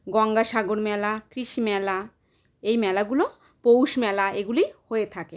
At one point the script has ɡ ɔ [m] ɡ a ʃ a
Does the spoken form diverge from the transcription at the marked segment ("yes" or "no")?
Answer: yes